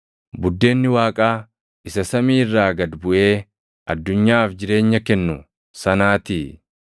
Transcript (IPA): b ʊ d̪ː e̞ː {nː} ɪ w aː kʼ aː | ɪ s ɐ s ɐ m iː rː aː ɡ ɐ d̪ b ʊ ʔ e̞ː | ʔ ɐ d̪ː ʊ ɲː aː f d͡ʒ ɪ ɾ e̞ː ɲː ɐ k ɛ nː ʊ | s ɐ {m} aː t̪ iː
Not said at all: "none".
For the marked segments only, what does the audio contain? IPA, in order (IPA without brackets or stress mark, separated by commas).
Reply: nː, n